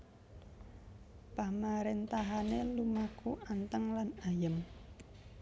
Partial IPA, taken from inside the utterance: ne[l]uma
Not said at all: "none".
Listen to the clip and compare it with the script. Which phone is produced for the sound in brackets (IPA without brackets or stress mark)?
l